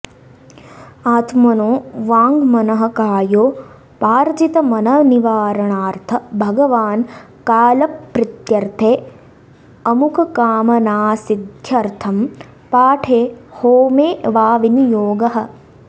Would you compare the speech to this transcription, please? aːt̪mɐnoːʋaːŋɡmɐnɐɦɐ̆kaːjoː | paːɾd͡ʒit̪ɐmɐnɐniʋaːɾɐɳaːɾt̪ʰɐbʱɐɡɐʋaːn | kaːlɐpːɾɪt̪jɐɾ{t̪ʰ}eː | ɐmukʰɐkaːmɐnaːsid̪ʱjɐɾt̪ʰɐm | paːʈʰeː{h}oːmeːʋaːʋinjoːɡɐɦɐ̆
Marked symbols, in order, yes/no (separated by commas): yes, yes